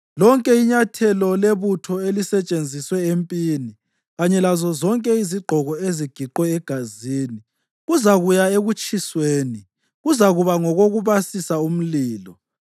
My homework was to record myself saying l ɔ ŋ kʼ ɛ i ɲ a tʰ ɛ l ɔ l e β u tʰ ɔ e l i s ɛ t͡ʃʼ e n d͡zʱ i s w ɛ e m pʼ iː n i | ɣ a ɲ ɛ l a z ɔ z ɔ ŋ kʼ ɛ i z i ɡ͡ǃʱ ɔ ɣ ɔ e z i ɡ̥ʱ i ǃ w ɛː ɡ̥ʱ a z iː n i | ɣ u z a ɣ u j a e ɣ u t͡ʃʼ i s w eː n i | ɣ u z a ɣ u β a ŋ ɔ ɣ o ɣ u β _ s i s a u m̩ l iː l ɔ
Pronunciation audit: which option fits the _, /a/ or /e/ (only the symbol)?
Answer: a